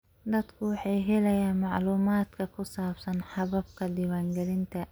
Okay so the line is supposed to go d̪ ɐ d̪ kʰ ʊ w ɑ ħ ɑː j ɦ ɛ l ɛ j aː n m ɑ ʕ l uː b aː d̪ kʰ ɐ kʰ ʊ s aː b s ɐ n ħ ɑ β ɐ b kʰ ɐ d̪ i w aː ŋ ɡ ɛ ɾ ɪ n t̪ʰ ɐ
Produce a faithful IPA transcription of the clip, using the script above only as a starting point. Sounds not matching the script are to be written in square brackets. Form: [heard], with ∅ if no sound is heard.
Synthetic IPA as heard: d̪ ɐ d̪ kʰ ʊ w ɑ ħ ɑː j ɦ ɛ l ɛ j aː n m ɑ ʕ l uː [m] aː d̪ kʰ ɐ kʰ ʊ s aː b s ɐ n ħ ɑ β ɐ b kʰ ɐ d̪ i w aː ŋ ɡ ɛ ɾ ɪ n t̪ʰ ɐ

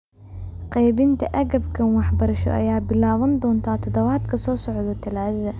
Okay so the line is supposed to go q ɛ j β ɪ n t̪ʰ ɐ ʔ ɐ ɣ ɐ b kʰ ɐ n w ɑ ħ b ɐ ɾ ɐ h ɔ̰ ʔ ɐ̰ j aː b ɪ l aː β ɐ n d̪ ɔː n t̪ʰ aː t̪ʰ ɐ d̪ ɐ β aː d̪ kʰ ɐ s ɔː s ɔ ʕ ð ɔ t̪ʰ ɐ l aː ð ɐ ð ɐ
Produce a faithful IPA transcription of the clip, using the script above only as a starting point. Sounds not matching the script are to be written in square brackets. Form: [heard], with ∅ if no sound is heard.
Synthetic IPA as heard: q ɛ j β ɪ n t̪ʰ ɐ ʔ ɐ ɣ ɐ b kʰ ɐ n w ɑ ħ b ɐ ɾ ɐ [ʃ] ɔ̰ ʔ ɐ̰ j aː b ɪ l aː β ɐ n d̪ ɔː n t̪ʰ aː t̪ʰ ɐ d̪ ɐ β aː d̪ kʰ ɐ s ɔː s ɔ ʕ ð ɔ t̪ʰ ɐ l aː ð ɐ ð ɐ

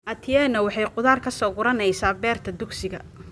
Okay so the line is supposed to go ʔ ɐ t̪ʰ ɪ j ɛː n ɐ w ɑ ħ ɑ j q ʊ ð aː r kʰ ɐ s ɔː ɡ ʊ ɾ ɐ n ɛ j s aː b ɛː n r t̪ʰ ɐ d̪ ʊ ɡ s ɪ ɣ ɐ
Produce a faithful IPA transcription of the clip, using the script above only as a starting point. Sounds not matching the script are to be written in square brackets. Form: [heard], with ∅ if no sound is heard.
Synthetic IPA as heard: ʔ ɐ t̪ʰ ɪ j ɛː n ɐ w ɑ ħ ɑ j q ʊ ð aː r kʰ ɐ s ɔː ɡ ʊ ɾ ɐ n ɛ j s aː b ɛː [∅] r t̪ʰ ɐ d̪ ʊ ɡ s ɪ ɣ ɐ

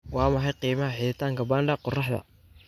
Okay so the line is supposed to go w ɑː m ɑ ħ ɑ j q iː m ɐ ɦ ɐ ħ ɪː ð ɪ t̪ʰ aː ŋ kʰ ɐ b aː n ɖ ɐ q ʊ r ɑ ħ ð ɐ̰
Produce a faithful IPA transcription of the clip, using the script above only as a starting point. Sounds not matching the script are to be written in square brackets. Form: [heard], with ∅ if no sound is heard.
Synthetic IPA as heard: w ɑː m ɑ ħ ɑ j q iː m ɐ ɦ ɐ ħ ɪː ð ɪ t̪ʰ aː ŋ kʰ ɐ b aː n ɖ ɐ q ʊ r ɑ ħ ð ɐ̰

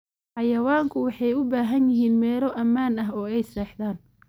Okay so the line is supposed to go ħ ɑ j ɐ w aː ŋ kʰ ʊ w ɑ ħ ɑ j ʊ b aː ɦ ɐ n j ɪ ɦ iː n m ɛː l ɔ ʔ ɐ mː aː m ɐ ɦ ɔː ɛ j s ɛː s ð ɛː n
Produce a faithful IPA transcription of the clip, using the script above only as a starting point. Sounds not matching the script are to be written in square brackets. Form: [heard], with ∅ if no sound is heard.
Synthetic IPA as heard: ħ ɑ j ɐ w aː ŋ kʰ ʊ w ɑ ħ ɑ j ʊ b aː ɦ ɐ n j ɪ ɦ iː n m ɛː l ɔ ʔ ɐ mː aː [n] ɐ ɦ ɔː ɛ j s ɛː [ħ] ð [aː] n

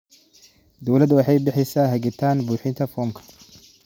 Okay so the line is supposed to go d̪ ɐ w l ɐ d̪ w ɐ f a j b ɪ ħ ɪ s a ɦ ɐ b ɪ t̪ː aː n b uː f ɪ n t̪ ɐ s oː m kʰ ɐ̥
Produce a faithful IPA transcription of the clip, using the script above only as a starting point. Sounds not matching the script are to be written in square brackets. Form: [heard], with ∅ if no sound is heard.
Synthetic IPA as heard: d̪ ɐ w l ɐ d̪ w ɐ [ħ] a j b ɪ ħ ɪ s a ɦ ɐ [ɡ] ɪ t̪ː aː n b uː [ħ] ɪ n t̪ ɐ [f] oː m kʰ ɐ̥

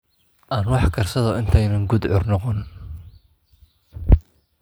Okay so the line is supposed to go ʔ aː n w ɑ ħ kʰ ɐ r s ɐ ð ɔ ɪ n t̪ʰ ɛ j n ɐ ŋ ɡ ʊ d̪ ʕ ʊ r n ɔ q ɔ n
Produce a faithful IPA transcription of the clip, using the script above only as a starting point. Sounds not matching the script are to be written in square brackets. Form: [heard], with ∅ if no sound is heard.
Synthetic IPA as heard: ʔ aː n w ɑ ħ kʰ ɐ r s ɐ ð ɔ ɪ n t̪ʰ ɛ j n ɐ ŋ ɡ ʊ d̪ ʕ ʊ r n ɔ q ɔ n

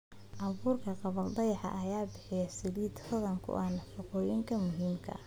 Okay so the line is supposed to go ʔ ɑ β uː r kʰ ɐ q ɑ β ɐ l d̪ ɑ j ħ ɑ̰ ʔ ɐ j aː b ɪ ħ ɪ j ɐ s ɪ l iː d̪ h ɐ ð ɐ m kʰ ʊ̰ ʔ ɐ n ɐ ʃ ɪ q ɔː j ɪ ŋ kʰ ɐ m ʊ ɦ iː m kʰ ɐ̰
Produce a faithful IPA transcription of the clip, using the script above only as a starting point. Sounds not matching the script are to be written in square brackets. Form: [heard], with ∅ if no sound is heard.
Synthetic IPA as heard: ʔ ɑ β uː r kʰ ɐ q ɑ β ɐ l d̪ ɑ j ħ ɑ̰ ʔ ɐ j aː b ɪ ħ ɪ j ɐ s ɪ l iː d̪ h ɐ ð ɐ [ŋ] kʰ ʊ̰ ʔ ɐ n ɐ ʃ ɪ q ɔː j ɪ ŋ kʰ ɐ m ʊ ɦ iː m kʰ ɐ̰

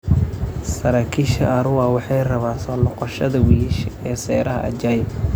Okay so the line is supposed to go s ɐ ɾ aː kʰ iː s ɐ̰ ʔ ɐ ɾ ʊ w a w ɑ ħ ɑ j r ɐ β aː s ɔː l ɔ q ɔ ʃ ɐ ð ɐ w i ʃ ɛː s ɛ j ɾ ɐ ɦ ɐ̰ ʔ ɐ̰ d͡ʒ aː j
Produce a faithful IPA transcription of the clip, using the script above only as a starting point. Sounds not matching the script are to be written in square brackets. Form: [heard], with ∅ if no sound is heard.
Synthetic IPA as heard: s ɐ ɾ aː kʰ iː [ʃ] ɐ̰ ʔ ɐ ɾ ʊ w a w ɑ ħ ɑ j r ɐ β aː s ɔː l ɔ q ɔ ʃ ɐ ð ɐ w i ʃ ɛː s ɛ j ɾ ɐ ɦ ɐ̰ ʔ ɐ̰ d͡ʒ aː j

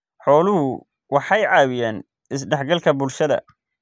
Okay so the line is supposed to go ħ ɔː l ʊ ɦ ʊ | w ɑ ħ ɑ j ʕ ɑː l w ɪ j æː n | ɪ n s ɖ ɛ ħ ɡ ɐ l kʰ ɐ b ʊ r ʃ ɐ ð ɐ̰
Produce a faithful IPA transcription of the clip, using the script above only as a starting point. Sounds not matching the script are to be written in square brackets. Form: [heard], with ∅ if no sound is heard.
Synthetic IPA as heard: ħ ɔː l ʊ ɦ ʊ | w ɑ ħ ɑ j ʕ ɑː [∅] w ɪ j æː n | ɪ [∅] s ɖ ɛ ħ ɡ ɐ l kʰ ɐ b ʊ [l] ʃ ɐ ð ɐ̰

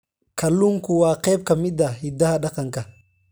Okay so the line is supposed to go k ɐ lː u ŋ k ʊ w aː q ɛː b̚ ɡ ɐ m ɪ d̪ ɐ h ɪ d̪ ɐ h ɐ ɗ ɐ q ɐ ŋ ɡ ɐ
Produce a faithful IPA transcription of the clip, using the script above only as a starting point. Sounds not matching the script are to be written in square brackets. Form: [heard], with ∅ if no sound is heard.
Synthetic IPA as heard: k ɐ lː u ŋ k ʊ w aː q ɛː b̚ [k] ɐ m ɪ d̪ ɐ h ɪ d̪ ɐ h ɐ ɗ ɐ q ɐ ŋ [k] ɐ

